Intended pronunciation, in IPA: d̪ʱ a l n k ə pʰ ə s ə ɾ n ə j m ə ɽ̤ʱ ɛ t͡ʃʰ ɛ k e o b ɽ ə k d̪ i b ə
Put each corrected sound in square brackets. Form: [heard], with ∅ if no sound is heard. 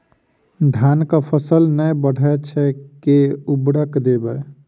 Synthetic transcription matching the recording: d̪ʱ a [∅] n k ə pʰ ə s ə [l] n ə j [b] ə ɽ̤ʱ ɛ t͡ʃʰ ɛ k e [u] b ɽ ə k d̪ [e] b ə